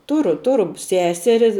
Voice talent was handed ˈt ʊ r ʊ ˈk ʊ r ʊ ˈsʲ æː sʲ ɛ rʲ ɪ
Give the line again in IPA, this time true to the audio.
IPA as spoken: ˈt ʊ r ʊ ˈt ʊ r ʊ ˈsʲ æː sʲ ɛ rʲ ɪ